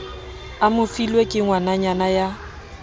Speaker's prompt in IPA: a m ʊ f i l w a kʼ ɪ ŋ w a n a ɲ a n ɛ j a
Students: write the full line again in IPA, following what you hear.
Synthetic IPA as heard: a m ʊ f i l w e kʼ ɪ ŋ w a n a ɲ a n a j a